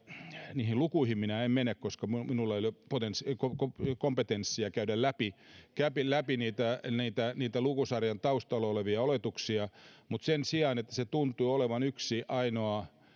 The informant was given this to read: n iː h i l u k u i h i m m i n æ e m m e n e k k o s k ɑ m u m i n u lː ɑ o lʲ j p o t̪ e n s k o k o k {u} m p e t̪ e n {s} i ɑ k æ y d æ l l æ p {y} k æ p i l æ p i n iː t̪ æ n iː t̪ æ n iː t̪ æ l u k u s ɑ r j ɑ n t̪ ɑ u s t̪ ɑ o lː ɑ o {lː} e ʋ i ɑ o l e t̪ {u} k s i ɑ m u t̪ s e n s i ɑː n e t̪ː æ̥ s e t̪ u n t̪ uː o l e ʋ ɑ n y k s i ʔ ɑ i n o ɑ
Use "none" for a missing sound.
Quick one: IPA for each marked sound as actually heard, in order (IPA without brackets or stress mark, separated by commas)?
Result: o, sː, i, l, u